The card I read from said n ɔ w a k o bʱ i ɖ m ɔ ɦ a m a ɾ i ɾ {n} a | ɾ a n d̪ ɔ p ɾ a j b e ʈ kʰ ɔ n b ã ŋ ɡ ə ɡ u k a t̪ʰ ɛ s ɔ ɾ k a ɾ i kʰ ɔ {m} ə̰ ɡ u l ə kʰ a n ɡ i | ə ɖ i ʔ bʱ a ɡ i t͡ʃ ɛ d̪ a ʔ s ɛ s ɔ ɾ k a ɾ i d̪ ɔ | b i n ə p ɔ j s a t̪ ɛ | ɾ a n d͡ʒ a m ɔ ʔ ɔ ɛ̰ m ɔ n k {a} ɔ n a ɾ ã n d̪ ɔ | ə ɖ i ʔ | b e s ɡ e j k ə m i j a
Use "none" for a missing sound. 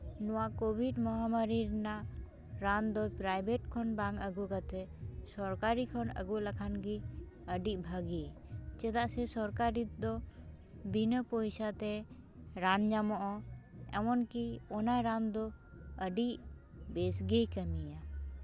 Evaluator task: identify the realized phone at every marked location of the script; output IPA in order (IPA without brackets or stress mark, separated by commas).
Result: n, n, i